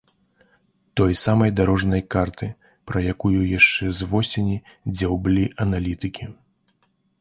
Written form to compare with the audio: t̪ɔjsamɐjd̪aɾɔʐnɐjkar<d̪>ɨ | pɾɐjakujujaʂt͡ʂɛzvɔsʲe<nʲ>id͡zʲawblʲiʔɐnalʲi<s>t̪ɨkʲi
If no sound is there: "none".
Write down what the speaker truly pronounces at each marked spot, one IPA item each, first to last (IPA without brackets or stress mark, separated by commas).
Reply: t̪, nʲ, none